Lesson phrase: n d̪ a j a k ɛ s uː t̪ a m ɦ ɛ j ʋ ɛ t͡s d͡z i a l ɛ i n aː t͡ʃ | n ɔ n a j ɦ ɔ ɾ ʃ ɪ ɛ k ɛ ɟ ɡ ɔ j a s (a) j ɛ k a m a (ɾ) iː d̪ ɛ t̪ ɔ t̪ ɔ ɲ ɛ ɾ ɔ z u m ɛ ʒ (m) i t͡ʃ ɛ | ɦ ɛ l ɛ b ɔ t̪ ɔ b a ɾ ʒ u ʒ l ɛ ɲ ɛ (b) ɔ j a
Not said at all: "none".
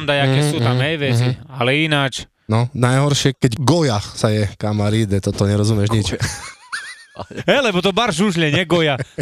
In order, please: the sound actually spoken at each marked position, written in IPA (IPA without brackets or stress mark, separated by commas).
a, ɾ, ɲ, ɡ